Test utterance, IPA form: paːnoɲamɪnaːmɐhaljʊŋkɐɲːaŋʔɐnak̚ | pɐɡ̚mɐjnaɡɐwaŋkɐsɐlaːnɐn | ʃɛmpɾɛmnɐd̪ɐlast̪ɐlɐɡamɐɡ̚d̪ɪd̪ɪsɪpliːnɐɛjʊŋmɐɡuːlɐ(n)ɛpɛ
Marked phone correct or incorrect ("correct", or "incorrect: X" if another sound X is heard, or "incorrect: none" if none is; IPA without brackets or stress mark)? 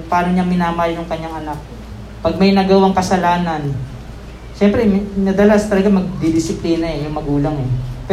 incorrect: ŋ